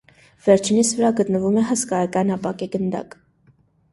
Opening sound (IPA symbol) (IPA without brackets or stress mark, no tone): v